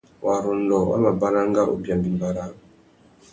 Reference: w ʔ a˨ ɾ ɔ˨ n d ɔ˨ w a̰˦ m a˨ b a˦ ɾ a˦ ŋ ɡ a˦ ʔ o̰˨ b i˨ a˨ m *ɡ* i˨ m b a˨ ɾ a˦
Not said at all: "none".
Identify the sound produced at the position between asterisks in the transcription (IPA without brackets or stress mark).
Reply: b